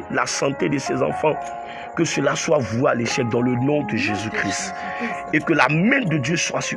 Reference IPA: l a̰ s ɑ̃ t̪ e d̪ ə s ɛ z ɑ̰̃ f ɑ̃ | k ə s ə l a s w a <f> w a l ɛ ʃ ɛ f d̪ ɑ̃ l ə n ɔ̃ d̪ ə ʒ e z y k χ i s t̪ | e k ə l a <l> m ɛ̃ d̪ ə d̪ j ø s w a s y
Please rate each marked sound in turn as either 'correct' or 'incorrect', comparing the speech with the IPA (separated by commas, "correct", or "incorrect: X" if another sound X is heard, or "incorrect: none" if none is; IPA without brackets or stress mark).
incorrect: v, incorrect: none